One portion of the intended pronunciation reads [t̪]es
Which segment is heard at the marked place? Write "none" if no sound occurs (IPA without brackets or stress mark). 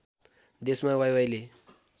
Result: d̪